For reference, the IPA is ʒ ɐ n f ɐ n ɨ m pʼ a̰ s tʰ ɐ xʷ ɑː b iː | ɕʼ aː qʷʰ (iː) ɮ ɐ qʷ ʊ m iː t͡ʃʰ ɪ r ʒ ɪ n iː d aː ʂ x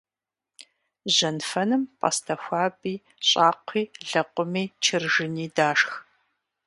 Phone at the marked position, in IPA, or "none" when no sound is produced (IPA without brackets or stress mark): iː